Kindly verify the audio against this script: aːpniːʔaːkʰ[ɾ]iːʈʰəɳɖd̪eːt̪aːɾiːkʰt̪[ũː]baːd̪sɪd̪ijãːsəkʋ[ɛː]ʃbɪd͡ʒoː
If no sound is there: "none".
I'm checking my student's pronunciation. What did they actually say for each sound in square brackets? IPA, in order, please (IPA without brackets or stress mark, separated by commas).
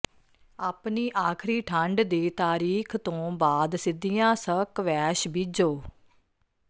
ɾ, õː, ɛː